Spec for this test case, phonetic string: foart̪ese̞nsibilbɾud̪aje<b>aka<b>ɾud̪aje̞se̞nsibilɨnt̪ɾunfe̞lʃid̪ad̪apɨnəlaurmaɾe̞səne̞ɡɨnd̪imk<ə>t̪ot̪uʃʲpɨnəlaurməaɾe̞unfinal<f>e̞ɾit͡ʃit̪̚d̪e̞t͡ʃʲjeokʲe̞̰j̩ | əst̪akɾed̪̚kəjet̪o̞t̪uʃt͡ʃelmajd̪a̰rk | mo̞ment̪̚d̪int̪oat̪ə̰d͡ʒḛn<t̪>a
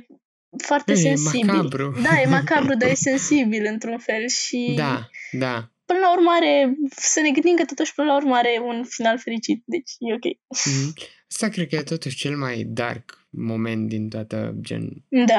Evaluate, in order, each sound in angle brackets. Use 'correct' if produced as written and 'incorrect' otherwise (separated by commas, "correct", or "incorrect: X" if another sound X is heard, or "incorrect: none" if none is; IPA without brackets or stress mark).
incorrect: m, correct, correct, correct, incorrect: d̪